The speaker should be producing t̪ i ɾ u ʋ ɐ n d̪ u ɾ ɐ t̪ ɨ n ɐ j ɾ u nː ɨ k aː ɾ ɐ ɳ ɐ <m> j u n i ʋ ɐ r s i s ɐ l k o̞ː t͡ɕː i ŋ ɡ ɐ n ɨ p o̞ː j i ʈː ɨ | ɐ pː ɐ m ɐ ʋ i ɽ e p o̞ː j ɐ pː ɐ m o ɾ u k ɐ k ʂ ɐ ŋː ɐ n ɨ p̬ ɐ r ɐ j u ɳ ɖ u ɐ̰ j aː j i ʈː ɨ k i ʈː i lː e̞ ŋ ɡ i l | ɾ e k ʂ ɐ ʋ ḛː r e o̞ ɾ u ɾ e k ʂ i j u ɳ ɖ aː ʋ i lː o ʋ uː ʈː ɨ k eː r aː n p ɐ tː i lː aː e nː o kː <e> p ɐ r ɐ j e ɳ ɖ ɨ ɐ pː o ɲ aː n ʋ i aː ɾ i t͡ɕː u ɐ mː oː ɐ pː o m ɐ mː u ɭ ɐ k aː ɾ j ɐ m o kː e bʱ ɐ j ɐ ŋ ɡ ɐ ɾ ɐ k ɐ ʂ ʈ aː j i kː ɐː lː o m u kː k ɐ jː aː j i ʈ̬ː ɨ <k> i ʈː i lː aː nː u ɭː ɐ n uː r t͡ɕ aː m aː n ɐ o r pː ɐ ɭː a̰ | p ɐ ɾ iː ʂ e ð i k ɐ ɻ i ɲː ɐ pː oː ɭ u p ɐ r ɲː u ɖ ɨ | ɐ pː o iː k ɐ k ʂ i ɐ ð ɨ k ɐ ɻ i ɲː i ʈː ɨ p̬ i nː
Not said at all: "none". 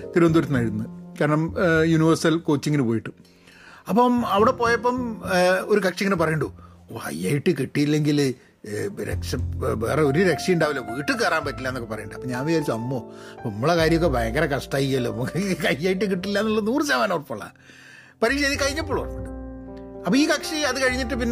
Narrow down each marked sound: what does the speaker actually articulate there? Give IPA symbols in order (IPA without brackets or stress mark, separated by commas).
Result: m, e, k